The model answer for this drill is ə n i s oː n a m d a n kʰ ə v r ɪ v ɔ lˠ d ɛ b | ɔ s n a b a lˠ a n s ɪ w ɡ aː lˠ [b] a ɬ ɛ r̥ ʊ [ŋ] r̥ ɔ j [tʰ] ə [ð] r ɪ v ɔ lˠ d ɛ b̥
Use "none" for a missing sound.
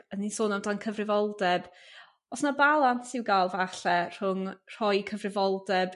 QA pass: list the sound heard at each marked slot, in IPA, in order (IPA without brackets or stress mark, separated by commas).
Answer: v, ŋ, kʰ, v